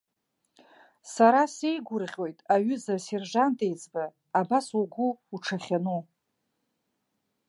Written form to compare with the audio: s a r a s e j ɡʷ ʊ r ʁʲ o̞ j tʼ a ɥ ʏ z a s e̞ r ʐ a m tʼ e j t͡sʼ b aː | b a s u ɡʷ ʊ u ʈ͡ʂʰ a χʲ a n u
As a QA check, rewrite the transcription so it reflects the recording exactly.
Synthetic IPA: s a ɾ a s e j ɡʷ ʊ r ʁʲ o̞ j tʼ a ɥ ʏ z a s e̞ r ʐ a n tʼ e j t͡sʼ b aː | b a s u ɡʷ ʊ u ʈ͡ʂʰ a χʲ a n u